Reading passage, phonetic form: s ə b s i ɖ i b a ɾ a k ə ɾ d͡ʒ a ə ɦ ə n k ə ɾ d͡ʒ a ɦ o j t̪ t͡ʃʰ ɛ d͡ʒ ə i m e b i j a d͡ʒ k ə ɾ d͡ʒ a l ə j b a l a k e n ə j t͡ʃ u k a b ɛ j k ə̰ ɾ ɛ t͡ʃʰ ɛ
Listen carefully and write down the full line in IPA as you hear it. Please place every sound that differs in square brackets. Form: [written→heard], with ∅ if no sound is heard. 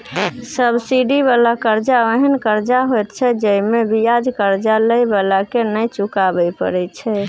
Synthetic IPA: s ə b s i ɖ i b a [ɾ→l] a k ə ɾ d͡ʒ a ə ɦ ə n k ə ɾ d͡ʒ a ɦ o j t̪ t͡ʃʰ ɛ d͡ʒ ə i m e b i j a d͡ʒ k ə ɾ d͡ʒ a l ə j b a l a k e n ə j t͡ʃ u k a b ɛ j [k→p] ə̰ ɾ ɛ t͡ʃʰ ɛ